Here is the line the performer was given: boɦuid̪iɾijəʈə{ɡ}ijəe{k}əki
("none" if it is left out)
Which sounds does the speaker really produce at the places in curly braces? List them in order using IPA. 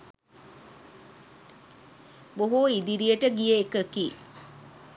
ɡ, k

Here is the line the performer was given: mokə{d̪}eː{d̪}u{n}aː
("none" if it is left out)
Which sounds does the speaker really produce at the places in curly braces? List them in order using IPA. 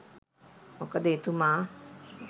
d̪, t̪, m

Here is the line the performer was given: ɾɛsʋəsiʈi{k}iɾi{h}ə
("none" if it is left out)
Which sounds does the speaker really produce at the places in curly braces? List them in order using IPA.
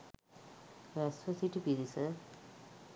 p, s

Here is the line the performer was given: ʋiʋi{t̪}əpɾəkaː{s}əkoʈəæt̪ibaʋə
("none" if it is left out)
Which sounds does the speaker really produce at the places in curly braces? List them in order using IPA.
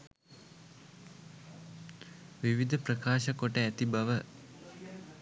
d̪, ʃ

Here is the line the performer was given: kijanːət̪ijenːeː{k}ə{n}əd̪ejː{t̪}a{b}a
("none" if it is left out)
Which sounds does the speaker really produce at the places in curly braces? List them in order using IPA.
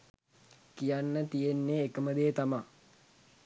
k, m, t̪, m

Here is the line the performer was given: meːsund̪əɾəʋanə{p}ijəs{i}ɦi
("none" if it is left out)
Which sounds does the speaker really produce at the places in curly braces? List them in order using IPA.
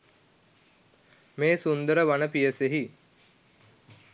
p, e

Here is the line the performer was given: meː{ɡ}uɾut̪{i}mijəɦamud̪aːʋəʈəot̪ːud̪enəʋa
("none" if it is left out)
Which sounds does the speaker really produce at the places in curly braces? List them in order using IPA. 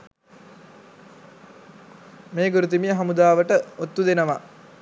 ɡ, i

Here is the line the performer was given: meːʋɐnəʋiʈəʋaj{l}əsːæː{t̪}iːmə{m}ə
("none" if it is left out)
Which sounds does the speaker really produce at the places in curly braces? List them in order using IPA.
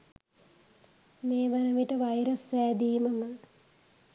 ɾ, d̪, m

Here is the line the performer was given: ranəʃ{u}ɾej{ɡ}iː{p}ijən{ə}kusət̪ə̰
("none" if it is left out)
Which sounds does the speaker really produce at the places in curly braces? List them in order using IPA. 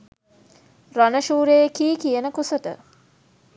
uː, k, k, ə

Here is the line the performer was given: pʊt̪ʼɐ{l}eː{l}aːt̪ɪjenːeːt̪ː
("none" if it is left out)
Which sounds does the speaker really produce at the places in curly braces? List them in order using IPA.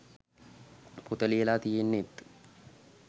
l, l

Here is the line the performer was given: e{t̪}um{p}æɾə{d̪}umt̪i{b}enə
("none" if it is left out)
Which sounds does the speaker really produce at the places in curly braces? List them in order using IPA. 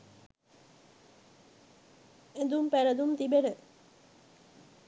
d̪, p, d̪, b

